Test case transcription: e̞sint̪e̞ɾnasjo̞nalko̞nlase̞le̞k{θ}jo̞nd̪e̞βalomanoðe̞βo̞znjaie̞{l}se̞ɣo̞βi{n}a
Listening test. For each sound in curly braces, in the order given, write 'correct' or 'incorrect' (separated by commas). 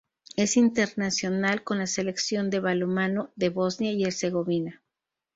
incorrect, incorrect, correct